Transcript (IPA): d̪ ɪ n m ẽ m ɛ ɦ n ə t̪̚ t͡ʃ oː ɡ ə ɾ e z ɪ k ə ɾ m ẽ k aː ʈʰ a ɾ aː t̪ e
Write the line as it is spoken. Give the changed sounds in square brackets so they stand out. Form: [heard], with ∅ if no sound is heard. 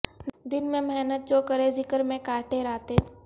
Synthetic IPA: d̪ ɪ n m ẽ m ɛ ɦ n ə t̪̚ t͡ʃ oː [k] ə ɾ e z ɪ k ə ɾ m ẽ k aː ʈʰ [e] ɾ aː t̪ e